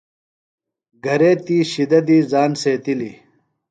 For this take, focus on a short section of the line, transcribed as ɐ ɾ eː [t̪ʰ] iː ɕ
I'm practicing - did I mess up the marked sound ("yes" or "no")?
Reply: yes